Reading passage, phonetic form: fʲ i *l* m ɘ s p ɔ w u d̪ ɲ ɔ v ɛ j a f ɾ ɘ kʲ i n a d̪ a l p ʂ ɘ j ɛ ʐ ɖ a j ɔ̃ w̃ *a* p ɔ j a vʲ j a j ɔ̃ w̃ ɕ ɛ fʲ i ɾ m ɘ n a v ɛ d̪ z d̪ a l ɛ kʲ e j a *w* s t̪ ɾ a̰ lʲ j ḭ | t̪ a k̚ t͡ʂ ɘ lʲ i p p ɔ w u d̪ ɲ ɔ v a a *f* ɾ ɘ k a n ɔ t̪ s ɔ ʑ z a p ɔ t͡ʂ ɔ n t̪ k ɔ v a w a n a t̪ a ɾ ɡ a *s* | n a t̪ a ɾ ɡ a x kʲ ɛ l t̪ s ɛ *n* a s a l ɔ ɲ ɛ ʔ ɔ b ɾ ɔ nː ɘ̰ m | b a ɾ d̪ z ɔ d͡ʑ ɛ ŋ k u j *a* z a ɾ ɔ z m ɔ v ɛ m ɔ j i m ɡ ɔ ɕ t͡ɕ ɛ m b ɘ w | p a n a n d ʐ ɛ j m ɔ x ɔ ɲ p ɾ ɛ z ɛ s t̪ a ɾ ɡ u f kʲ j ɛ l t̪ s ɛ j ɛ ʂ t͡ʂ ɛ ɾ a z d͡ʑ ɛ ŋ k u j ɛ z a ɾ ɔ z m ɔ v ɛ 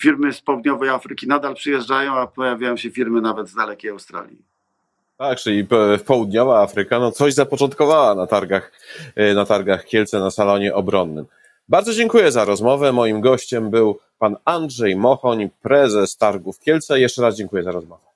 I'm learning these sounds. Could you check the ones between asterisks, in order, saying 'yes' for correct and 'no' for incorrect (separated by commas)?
no, yes, yes, yes, no, yes, no